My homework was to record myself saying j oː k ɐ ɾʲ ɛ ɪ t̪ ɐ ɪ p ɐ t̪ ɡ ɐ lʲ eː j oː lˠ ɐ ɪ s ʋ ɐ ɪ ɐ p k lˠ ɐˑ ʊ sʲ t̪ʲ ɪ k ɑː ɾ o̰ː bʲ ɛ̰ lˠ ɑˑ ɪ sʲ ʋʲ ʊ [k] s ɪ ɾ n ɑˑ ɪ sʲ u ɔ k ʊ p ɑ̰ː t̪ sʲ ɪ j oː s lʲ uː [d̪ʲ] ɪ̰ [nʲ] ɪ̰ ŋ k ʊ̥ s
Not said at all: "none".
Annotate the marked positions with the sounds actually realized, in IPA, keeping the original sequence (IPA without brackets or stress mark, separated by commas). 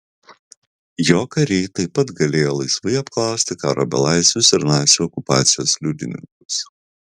none, d̪ʲ, nʲ